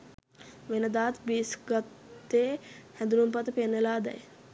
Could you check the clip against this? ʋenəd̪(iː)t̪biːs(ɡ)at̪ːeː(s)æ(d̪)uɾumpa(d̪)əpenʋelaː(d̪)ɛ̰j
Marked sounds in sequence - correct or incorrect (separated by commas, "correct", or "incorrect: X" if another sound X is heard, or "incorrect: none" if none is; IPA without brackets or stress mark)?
incorrect: aː, correct, incorrect: h, correct, incorrect: t̪, correct